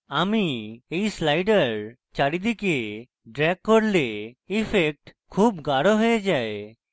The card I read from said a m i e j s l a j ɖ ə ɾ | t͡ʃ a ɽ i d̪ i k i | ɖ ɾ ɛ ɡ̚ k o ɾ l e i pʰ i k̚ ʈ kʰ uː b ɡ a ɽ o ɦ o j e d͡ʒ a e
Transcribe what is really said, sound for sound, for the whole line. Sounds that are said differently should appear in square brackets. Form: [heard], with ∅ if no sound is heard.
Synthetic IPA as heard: a m i e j s l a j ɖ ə ɾ | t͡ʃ a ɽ i d̪ i k [e] | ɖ ɾ ɛ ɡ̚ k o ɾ l e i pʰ [e] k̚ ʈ kʰ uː b ɡ a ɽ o ɦ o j e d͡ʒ a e

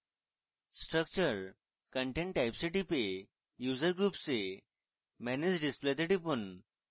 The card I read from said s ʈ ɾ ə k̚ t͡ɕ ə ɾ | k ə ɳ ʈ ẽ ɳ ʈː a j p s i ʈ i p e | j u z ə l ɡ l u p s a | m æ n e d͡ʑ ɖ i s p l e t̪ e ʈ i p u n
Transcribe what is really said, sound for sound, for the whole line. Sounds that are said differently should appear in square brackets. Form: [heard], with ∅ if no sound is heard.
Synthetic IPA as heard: s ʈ ɾ ə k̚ t͡ɕ ə ɾ | k ə ɳ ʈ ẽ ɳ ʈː a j p s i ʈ i p e | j u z ə [ɾ] ɡ [ɾ] u p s [e] | m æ n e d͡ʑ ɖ i s p l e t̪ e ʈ i p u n

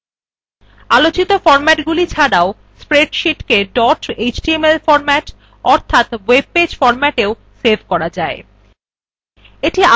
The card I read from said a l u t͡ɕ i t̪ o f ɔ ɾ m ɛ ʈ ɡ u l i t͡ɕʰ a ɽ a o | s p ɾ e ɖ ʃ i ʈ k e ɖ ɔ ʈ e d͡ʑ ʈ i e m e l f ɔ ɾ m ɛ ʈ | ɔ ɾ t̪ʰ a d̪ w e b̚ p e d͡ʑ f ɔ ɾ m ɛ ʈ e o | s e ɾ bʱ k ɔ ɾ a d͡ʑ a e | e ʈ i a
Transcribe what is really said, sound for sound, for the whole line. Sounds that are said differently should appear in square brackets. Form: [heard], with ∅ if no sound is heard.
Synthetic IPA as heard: a l [o] t͡ɕ i t̪ o f ɔ ɾ m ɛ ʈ ɡ u l i t͡ɕʰ a ɽ a o | s p ɾ e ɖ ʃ i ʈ k e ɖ ɔ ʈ e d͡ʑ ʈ i e m e l f ɔ ɾ m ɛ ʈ | ɔ ɾ t̪ʰ a [t̪] w e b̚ p e d͡ʑ f ɔ ɾ m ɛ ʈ e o | s e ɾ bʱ k ɔ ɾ a d͡ʑ a e | e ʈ i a

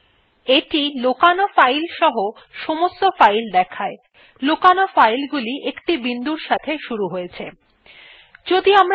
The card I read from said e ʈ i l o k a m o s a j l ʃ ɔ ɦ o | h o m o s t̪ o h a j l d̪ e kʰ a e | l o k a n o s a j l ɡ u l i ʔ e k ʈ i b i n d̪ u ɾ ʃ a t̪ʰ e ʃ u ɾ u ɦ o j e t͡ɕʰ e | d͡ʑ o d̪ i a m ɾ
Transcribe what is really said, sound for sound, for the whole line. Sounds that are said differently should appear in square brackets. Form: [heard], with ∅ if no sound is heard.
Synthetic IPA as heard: e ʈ i l o k a [n] o [f] a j l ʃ ɔ ɦ o | [ʃ] o m o s t̪ o [f] a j l d̪ [ɛ] kʰ a e | l o k a n o [f] a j l ɡ u l i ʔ e k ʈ i b i n d̪ u ɾ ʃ a t̪ʰ e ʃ u ɾ u ɦ o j e t͡ɕʰ e | d͡ʑ o d̪ i a m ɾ

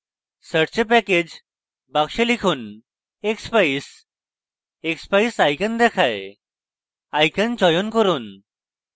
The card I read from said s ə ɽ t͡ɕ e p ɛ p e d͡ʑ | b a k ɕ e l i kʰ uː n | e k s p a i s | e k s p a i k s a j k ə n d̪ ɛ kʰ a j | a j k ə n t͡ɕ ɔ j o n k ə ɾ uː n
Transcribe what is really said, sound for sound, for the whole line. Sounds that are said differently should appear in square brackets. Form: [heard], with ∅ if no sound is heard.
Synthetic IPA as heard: s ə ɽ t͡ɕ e p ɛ [k] e d͡ʑ | b a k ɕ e l i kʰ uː n | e k s p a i s | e k s p a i [∅] s a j k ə n d̪ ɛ kʰ a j | a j k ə n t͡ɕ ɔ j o n k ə ɾ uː n

